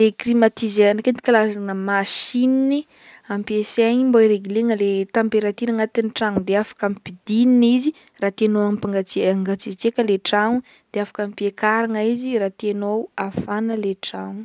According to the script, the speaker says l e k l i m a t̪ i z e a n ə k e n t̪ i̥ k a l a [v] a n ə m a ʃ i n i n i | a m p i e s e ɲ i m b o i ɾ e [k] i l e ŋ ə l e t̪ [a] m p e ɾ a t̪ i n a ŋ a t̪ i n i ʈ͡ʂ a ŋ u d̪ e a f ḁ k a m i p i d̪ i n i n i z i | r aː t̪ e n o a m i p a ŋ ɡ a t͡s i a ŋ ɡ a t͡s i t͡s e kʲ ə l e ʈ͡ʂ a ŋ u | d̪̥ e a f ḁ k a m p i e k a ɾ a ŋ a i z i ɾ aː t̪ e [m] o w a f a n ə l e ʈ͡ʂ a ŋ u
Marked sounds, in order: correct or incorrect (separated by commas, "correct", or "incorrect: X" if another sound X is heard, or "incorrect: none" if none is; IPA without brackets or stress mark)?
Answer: incorrect: z, incorrect: ɡ, correct, incorrect: n